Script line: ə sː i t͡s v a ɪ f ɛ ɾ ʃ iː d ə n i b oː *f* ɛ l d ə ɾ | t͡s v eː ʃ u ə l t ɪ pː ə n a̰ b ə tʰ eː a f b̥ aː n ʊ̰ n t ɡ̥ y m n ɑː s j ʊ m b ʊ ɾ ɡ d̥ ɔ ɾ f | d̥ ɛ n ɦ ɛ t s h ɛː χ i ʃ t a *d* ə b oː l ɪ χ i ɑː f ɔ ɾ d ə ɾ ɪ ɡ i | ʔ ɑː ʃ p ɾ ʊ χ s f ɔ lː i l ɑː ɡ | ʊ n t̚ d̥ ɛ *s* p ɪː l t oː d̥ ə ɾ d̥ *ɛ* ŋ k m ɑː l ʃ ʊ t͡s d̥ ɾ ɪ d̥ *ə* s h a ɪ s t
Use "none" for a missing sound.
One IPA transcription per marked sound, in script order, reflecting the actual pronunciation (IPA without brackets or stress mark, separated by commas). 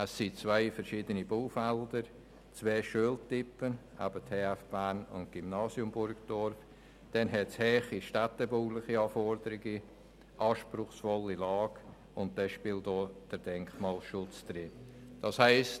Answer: f, t, ʃ, ɛ, ɑ